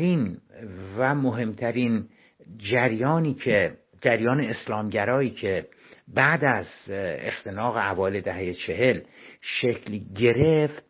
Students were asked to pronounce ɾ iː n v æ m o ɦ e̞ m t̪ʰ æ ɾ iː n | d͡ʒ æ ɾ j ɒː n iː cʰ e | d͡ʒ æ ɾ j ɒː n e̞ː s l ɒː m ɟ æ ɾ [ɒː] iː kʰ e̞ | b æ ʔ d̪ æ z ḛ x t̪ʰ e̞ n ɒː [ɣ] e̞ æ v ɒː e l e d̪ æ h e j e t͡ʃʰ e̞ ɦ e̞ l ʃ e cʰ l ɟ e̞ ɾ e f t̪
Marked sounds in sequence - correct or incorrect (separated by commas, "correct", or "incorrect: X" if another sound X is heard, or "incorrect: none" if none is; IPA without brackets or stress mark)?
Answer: correct, correct